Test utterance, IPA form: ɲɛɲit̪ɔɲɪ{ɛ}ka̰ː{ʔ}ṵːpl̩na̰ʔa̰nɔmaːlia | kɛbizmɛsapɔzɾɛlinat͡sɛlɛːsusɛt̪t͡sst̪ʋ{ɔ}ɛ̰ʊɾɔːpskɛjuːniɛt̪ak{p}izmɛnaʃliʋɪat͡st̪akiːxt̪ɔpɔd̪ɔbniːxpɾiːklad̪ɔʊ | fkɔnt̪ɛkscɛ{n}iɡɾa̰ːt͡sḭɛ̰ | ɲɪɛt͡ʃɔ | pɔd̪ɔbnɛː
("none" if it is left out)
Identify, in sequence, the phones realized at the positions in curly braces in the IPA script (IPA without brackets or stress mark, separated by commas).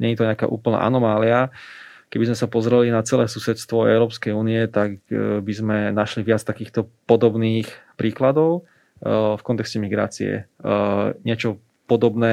a, ʔ, ɔ, b, m